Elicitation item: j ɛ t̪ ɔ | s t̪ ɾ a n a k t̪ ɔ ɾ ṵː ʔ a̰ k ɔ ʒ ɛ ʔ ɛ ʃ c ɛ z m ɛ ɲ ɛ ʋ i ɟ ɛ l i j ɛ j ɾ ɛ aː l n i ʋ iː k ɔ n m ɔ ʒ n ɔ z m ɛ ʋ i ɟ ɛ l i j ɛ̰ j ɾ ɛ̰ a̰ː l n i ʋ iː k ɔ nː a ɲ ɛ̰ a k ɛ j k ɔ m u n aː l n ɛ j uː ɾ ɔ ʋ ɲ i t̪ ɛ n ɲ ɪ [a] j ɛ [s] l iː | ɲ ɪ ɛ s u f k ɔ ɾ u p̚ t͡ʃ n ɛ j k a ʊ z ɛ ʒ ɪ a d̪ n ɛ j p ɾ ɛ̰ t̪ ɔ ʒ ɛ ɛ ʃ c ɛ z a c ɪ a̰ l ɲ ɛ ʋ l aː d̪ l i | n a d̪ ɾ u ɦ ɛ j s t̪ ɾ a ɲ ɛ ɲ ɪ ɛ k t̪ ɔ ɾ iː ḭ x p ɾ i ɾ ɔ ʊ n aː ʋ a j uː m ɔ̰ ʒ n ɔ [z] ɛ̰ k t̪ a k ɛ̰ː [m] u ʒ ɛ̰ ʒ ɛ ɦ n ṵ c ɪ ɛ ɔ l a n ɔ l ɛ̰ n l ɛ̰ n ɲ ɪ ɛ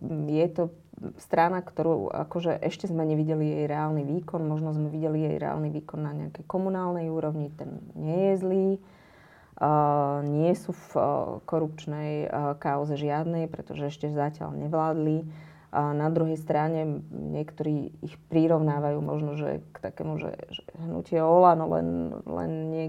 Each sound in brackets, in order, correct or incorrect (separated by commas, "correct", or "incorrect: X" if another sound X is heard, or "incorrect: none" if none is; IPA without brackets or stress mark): incorrect: ɛ, incorrect: z, incorrect: ʒ, correct